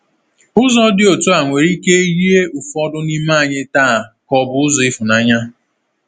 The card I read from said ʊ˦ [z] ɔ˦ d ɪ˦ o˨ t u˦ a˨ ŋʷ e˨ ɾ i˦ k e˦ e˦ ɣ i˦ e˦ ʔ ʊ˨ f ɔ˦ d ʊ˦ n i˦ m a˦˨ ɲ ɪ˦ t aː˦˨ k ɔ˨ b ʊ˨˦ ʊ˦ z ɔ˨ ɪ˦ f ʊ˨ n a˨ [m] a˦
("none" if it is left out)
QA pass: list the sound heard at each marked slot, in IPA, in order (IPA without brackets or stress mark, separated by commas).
z, ɲ